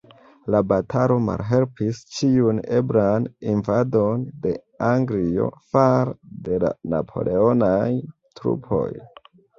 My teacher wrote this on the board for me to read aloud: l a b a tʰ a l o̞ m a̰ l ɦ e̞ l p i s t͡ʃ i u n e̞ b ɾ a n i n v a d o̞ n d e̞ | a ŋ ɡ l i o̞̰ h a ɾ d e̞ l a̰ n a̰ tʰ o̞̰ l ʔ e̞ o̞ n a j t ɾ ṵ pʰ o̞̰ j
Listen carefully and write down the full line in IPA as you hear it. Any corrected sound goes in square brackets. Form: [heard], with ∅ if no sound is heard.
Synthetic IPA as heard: l a b a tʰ a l o̞ m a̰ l ɦ e̞ l p i s t͡ʃ i u n e̞ b ɾ a n i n v a d o̞ n d e̞ | a ŋ ɡ l i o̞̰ [f] a ɾ d e̞ l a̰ n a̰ [pʰ] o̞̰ l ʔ e̞ o̞ n a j t ɾ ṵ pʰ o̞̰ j

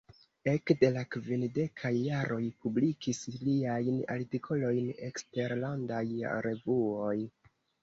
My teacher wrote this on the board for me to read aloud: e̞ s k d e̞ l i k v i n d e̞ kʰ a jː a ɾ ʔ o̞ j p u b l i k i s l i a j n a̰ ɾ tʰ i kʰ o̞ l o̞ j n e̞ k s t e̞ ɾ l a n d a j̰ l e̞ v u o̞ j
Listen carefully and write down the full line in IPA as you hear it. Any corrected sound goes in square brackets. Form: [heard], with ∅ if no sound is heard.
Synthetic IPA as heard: e̞ [∅] k d e̞ l [a] k v i n d e̞ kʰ a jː a ɾ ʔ o̞ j p u b l i k i s l i a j n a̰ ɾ [t] i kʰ o̞ l o̞ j n e̞ k s t e̞ ɾ l a n d a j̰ [ɾ] e̞ v u o̞ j

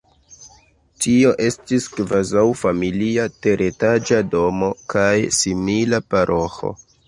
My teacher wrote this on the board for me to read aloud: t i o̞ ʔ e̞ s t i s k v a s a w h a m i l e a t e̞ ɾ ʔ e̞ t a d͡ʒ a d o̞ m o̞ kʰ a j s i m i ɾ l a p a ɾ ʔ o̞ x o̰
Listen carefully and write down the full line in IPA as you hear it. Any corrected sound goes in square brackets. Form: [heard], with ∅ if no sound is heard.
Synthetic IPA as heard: t i o̞ ʔ e̞ s t i s k v a [z] a w [f] a m i l [i] a t e̞ ɾ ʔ e̞ t a d͡ʒ a d o̞ m o̞ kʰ a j s i m i [∅] l a p a ɾ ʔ o̞ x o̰

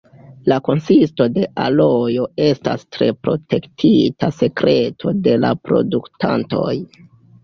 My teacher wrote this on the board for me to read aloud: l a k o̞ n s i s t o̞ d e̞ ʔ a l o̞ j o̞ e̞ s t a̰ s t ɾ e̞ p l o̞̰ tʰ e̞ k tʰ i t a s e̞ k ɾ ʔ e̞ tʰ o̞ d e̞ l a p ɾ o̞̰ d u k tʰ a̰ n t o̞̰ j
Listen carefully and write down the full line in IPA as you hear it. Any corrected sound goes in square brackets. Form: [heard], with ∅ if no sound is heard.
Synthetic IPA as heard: l a k o̞ n s i s t o̞ d e̞ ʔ a l o̞ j o̞ e̞ s t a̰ s t ɾ e̞ p [ɾ] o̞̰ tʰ e̞ k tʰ i t a s e̞ k ɾ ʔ e̞ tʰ o̞ d e̞ l a p ɾ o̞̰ d u k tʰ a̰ n t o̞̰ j

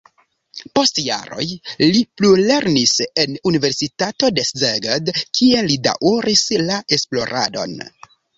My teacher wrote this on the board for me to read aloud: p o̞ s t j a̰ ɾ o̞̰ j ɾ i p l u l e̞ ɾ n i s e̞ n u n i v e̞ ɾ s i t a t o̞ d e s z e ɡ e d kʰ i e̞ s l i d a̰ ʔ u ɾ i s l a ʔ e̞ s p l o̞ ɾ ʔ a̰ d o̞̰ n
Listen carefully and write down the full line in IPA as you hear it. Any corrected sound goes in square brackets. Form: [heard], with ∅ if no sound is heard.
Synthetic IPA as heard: p o̞ s t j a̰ ɾ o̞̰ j [l] i p l u l e̞ ɾ n i s e̞ n u n i v e̞ ɾ s i t a t o̞ d e s z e ɡ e d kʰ i e̞ [∅] l i d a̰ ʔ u ɾ i s l a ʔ e̞ s p l o̞ ɾ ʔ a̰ d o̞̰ n

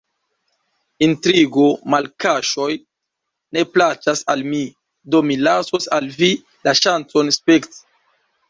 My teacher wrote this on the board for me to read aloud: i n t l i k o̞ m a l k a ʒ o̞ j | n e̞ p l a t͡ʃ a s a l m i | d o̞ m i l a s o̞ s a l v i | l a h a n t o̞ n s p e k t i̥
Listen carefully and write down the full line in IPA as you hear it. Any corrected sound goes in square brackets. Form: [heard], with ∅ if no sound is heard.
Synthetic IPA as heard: i n t [ɾ] i [ɡ] o̞ m a l k a [ʃ] o̞ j | n e̞ p l a t͡ʃ a s a l m i | d o̞ m i l a s o̞ s a l v i | l a [ʃ] a n [t͡s] o̞ n s p e k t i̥

